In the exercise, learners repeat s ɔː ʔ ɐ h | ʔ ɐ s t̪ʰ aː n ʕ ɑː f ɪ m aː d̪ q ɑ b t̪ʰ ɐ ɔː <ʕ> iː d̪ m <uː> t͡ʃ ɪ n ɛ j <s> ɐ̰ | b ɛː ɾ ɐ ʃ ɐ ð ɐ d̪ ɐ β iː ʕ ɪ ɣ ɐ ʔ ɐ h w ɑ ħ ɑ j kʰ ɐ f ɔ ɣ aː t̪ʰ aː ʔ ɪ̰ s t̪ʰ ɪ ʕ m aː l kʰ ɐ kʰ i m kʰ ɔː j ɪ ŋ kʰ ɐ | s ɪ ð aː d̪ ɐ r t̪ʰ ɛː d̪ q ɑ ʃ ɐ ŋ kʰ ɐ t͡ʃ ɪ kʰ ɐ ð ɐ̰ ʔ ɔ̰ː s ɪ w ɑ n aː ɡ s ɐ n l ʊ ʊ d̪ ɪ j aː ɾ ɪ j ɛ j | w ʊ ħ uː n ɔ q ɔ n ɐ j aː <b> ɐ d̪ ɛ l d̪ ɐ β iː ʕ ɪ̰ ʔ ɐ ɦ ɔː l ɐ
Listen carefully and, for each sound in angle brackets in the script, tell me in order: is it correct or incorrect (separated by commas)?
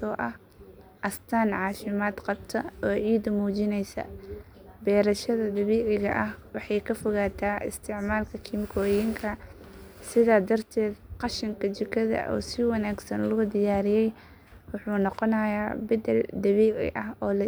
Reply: correct, correct, correct, correct